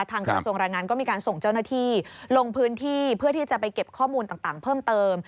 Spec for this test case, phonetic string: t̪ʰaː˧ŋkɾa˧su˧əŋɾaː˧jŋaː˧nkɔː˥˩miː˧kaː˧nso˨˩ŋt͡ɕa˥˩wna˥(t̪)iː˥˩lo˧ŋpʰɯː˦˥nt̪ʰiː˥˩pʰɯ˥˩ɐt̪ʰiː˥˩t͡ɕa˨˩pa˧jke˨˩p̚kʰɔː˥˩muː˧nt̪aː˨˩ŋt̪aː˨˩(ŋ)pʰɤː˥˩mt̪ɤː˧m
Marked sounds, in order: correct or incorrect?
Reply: incorrect, correct

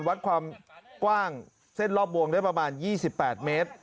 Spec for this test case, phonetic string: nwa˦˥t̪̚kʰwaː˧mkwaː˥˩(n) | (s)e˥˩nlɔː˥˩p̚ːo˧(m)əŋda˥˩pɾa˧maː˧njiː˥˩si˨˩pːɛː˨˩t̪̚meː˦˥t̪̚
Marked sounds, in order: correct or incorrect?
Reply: incorrect, correct, incorrect

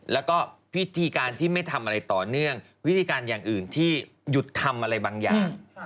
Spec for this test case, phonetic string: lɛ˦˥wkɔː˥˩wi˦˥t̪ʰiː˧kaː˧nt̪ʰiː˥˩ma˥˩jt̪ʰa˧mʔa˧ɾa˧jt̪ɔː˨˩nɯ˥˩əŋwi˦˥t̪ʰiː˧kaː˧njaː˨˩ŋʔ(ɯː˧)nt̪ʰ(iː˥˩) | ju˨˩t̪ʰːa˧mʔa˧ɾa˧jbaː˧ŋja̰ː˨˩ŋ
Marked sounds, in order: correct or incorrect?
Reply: incorrect, correct

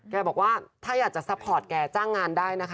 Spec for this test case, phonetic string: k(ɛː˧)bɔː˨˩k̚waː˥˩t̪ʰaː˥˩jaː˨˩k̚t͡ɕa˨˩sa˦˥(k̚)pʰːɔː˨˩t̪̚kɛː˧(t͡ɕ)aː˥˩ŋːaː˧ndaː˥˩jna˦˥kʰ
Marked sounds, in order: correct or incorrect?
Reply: correct, incorrect, correct

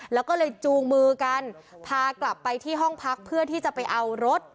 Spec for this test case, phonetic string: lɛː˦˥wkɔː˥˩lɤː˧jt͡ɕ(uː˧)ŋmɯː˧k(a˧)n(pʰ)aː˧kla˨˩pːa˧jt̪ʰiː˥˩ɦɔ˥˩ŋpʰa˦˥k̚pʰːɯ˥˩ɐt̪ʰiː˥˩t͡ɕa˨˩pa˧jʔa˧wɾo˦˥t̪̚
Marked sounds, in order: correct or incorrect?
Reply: correct, correct, correct

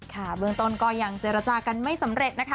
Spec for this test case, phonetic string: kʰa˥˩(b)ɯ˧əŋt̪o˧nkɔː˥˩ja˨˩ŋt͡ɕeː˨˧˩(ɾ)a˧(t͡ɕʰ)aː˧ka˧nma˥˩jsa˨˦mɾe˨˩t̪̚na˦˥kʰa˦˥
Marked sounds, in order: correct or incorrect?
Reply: correct, correct, incorrect

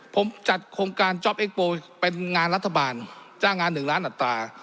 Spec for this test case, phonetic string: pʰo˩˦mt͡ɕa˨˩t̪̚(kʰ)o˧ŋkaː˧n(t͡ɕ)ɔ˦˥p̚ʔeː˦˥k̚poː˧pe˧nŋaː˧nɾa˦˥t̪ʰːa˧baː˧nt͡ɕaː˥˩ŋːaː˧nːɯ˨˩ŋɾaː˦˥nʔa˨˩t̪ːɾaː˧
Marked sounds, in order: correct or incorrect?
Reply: correct, correct

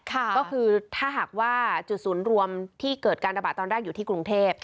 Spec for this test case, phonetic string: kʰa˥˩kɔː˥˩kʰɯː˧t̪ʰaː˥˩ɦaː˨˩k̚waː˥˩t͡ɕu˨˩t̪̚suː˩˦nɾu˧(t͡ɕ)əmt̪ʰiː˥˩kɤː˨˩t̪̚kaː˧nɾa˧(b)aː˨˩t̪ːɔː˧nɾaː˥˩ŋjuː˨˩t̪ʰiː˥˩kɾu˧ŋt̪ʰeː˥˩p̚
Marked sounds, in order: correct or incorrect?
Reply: incorrect, correct

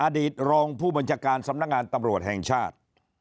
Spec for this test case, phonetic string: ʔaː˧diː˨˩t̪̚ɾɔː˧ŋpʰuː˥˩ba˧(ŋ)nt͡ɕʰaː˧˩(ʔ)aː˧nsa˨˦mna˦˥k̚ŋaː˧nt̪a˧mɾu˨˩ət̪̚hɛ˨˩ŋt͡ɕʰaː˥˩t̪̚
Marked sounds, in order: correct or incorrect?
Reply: incorrect, incorrect

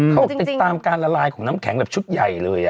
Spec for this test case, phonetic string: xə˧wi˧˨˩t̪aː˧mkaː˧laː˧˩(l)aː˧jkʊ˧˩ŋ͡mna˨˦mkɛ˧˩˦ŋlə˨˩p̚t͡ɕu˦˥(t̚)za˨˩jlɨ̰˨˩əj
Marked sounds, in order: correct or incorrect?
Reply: correct, correct

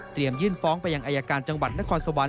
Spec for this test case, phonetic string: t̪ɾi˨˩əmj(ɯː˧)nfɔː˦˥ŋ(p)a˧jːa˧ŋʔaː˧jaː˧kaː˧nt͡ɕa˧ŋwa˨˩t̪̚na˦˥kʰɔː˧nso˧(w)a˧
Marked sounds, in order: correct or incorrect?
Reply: incorrect, correct, correct

